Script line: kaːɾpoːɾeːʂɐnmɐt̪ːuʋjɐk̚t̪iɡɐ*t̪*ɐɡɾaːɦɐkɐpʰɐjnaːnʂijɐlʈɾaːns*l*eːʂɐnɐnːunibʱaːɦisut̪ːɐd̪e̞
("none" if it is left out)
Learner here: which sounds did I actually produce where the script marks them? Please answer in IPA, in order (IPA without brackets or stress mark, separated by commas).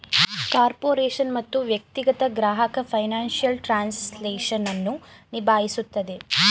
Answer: t̪, l